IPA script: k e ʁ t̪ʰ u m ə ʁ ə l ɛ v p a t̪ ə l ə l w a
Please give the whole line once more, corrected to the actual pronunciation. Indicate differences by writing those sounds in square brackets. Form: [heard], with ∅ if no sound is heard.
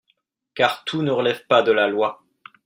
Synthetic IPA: k [a] ʁ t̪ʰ u [n] ə ʁ ə l ɛ v p a [d̪] ə l [a] l w a